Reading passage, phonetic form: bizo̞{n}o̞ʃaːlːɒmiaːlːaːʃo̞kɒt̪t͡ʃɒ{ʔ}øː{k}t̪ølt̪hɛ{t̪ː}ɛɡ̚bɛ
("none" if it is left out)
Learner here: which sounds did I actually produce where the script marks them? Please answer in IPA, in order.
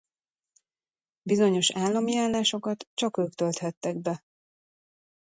ɲ, k, k, t̪ː

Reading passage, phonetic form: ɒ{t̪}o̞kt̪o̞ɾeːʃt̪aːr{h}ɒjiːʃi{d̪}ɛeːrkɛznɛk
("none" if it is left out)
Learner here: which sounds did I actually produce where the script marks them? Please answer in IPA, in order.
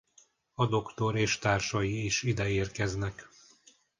d̪, ʃ, d̪

